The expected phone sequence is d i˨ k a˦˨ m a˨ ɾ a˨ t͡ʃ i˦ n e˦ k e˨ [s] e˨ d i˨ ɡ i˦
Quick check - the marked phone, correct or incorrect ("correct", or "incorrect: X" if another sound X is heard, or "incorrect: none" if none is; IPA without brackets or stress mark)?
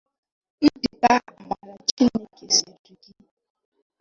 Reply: correct